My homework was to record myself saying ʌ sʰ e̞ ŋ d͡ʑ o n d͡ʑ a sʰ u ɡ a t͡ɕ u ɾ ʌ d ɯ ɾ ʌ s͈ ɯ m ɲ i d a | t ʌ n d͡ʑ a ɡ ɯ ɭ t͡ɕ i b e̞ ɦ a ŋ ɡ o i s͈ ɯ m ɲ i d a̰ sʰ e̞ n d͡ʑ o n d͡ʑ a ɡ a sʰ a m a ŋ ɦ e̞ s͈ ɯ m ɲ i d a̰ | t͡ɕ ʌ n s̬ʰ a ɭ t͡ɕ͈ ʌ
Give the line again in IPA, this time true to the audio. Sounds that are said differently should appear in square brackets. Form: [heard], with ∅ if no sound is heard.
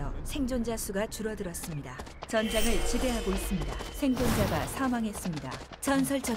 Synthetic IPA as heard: ʌ sʰ e̞ ŋ d͡ʑ o n d͡ʑ a sʰ u ɡ a t͡ɕ u ɾ ʌ d ɯ ɾ ʌ s͈ ɯ m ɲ i d a | [t͡ɕ] ʌ n d͡ʑ a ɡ ɯ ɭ t͡ɕ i b e̞ ɦ a [∅] ɡ o i s͈ ɯ m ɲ i d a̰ sʰ e̞ [ŋ] d͡ʑ o n d͡ʑ a ɡ a sʰ a m a ŋ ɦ e̞ s͈ ɯ m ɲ i d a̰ | t͡ɕ ʌ n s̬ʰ [ʌ] ɭ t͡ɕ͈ ʌ